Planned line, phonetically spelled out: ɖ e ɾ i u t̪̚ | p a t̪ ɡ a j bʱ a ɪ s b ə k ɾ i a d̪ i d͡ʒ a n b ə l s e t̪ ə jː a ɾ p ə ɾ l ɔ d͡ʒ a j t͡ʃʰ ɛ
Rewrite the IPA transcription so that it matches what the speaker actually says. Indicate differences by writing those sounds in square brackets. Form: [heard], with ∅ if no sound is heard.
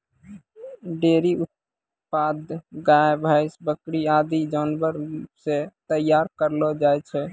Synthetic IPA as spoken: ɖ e ɾ i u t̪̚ | p a [d̪] ɡ a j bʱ a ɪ s b ə k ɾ i a d̪ i d͡ʒ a n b ə [ɾ] s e t̪ ə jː a ɾ [k] ə ɾ l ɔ d͡ʒ a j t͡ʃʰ ɛ